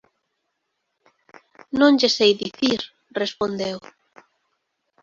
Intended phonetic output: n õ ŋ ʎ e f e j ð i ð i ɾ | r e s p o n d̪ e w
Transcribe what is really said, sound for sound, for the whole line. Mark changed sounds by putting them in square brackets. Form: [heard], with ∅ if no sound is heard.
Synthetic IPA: n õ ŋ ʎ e [s] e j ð i [θ] i ɾ | r e s p o n d̪ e w